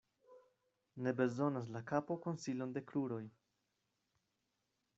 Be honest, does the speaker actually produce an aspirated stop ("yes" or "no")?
no